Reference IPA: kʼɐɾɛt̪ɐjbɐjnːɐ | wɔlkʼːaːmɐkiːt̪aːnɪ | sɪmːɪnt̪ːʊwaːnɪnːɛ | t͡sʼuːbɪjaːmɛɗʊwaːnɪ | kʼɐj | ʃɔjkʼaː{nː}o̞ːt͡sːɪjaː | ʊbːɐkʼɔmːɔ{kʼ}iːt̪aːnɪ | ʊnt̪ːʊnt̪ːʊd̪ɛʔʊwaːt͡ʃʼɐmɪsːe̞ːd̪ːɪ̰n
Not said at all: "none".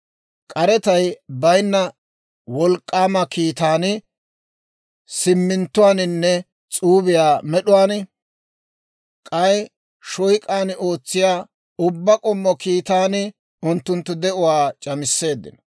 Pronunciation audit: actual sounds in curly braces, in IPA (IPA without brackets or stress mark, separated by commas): n, k